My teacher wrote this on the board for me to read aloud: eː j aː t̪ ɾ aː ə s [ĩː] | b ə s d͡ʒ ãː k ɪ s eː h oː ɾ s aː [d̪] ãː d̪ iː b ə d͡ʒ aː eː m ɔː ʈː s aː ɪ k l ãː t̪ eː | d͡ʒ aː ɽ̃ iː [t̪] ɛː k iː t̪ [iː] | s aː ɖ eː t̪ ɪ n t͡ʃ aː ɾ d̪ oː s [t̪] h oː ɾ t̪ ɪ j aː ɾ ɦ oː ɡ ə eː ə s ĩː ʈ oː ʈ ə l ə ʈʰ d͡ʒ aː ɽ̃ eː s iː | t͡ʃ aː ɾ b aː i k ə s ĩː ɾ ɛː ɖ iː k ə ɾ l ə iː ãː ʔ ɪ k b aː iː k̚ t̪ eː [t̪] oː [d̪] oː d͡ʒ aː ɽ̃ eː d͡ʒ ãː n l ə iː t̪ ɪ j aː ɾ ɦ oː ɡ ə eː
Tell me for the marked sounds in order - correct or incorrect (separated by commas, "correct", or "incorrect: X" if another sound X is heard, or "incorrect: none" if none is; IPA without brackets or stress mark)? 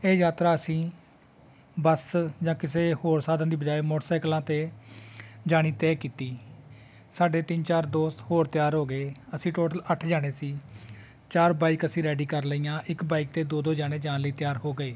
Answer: correct, correct, correct, correct, correct, incorrect: d̪, correct